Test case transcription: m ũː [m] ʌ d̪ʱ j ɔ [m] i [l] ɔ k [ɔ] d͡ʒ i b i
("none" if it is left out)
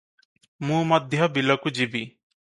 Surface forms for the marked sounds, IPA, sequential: m, b, l, u

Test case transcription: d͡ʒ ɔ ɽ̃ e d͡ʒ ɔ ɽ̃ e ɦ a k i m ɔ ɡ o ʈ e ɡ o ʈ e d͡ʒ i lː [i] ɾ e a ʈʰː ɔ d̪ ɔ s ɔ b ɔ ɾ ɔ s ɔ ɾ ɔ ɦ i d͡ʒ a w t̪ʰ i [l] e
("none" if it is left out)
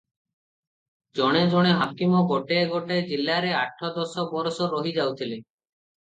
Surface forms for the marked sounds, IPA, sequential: a, l

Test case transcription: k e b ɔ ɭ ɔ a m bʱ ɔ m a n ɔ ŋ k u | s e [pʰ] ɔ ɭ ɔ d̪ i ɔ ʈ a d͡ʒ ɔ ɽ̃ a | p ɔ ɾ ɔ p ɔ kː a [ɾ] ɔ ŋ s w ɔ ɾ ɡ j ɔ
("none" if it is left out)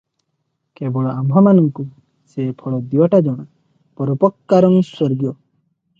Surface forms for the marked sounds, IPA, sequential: pʰ, ɾ

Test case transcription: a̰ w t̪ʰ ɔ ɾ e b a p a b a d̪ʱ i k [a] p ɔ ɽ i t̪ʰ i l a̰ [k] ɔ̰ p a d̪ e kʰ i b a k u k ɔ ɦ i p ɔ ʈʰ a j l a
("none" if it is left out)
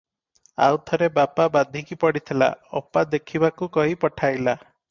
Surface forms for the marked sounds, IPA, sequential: i, none

